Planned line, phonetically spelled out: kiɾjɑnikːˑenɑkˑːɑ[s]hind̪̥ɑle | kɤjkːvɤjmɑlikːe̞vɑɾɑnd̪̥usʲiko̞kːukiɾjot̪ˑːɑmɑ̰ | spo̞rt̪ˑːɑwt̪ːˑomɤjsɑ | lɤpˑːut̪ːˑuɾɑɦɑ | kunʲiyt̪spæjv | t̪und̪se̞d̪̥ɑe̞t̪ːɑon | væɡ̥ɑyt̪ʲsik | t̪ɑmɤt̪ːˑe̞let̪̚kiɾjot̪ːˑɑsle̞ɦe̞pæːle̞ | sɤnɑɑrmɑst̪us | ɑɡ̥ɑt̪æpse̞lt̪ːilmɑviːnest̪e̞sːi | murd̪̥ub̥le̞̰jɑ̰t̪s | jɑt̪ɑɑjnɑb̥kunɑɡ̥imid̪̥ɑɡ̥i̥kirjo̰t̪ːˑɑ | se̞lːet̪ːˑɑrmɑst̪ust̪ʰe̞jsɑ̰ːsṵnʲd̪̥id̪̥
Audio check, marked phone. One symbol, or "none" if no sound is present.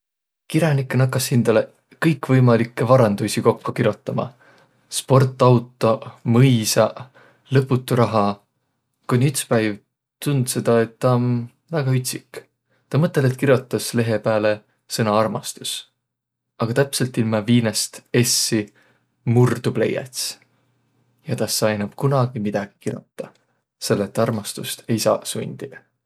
s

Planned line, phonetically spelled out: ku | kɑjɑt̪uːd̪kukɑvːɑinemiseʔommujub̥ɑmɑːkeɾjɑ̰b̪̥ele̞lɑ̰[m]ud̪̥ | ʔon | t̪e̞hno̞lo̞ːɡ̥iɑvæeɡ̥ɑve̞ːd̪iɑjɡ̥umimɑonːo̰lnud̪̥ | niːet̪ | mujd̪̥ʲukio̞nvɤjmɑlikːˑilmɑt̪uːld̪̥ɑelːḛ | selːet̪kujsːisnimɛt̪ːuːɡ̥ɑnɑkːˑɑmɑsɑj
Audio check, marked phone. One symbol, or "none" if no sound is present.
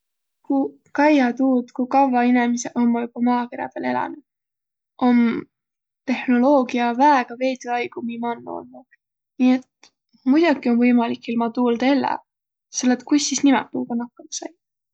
n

